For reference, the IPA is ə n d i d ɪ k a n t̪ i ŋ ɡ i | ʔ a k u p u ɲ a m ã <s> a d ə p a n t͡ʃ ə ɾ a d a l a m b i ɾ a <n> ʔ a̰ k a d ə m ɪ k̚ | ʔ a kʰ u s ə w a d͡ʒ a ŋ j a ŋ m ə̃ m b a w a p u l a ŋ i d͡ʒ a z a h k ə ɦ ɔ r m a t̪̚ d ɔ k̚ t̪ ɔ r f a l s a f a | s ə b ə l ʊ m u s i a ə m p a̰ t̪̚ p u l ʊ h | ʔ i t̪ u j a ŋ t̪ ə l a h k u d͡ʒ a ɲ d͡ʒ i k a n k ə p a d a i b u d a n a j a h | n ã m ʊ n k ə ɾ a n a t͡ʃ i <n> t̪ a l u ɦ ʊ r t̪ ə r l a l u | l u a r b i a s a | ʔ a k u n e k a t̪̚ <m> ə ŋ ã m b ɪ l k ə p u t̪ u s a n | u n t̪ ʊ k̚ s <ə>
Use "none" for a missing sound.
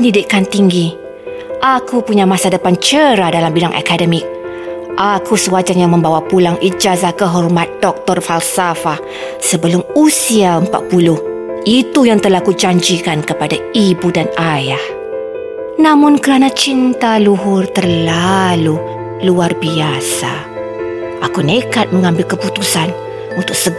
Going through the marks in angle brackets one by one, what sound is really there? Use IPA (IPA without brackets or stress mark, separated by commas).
s, ŋ, n, m, ə